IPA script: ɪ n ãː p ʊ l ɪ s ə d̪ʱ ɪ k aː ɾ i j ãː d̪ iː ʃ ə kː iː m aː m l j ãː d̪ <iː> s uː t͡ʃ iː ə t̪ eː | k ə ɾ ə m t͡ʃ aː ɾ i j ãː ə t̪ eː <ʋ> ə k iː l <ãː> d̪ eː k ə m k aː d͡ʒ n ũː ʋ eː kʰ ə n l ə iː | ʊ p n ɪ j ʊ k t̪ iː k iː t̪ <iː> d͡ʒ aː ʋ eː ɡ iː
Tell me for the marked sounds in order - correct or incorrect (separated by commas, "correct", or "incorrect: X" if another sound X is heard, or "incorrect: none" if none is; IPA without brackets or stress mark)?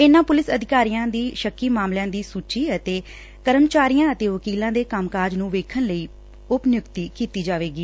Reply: correct, correct, correct, correct